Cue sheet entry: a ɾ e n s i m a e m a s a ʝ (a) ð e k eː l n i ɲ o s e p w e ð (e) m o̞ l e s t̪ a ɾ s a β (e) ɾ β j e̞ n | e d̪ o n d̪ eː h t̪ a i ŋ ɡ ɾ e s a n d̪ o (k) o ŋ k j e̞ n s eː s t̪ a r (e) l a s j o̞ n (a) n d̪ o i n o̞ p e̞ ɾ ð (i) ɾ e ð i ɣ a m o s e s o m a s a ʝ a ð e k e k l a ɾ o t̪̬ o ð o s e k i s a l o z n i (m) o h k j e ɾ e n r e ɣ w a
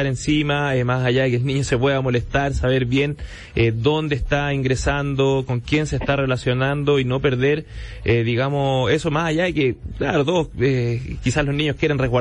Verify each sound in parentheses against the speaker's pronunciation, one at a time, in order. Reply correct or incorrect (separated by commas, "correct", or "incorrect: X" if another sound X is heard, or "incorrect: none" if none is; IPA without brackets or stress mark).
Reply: correct, incorrect: a, correct, correct, correct, correct, incorrect: e, incorrect: ɲ